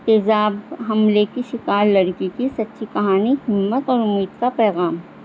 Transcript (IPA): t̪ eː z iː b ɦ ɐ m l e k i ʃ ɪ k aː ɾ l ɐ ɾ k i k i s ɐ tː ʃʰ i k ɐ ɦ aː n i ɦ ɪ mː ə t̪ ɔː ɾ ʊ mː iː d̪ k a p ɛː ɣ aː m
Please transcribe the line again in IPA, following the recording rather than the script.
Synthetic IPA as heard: t̪ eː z aː b ɦ ɐ m l e k i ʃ ɪ k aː ɾ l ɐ ɾ k i k i s ɐ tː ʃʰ i k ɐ ɦ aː n i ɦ ɪ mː ə t̪ ɔː ɾ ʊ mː iː d̪ k a p ɛː ɣ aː m